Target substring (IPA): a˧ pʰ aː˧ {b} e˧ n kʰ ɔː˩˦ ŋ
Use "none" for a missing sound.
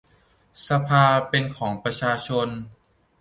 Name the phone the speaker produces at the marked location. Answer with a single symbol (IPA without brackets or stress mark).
p